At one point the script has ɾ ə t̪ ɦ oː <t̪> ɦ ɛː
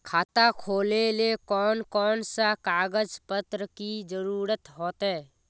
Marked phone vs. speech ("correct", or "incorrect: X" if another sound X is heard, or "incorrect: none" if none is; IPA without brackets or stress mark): correct